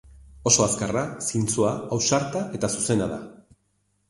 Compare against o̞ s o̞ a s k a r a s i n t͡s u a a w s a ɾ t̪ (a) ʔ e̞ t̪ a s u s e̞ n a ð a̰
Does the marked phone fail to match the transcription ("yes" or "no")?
no